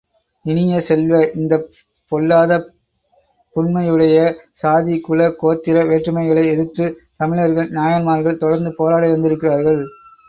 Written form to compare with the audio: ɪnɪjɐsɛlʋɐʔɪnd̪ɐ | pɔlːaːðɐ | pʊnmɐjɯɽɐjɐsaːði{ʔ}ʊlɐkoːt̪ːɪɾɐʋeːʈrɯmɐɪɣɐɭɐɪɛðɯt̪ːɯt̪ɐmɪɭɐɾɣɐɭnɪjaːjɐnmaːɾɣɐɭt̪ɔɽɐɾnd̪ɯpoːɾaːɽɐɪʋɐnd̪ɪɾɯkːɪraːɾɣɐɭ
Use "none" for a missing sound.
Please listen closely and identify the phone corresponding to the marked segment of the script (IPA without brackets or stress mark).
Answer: k